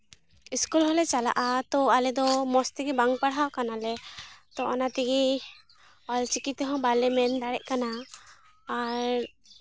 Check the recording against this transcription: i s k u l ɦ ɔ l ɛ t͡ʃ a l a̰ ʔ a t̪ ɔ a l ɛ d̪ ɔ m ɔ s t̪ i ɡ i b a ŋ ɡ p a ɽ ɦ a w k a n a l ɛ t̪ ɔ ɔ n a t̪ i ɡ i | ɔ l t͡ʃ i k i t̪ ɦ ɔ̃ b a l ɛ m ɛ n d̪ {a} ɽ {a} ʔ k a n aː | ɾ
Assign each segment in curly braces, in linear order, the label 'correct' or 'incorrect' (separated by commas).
correct, incorrect